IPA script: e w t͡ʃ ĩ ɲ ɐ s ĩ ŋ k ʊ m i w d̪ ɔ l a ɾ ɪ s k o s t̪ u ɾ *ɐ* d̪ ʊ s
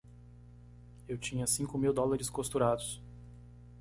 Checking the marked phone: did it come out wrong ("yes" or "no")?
yes